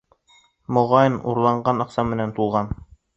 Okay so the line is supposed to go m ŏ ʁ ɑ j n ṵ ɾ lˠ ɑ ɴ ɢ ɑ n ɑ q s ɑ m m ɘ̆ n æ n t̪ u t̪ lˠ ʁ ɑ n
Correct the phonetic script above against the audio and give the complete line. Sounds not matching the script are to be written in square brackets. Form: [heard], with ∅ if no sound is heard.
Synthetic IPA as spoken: m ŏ ʁ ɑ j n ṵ ɾ lˠ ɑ ɴ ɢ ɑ n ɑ q s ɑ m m ɘ̆ n æ n t̪ u [∅] lˠ ʁ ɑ n